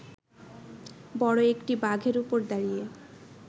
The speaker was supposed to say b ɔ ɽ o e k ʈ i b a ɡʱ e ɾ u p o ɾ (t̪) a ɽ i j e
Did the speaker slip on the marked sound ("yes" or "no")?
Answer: yes